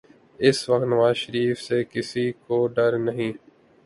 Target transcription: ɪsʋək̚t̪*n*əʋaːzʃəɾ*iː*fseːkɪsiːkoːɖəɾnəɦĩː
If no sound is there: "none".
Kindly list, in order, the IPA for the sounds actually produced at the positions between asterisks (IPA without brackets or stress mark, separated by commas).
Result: n, iː